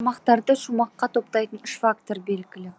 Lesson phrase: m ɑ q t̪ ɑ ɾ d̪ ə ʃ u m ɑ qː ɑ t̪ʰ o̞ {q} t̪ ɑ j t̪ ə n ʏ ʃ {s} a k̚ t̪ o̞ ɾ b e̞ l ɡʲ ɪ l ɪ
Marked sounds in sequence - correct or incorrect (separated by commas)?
incorrect, incorrect